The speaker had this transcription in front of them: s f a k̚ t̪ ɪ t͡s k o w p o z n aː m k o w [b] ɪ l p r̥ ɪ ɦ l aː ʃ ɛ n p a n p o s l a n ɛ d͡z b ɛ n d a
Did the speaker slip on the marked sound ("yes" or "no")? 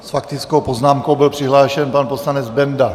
no